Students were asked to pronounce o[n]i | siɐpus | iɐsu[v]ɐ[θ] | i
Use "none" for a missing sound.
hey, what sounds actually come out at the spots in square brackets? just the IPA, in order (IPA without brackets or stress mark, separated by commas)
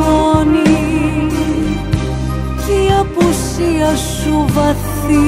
n, v, θ